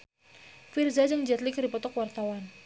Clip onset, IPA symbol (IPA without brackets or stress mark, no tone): f